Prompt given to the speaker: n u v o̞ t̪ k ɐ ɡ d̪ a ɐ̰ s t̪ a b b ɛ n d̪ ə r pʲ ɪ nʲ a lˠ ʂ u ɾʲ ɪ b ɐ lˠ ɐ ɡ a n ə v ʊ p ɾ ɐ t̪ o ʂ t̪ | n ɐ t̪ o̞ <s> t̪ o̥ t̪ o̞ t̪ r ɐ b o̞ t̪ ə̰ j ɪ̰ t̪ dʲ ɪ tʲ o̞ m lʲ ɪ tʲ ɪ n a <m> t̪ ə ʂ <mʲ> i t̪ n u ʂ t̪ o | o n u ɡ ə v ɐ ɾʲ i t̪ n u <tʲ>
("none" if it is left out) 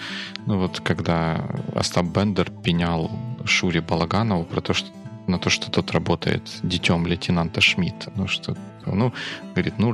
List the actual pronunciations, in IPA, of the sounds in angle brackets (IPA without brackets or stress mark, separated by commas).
ʂ, n, mʲ, none